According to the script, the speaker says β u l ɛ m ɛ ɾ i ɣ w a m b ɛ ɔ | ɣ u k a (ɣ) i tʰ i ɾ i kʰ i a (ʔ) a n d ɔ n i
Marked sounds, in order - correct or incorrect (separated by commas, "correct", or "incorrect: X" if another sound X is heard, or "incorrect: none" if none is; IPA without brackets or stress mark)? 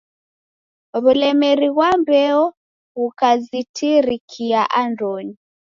incorrect: z, correct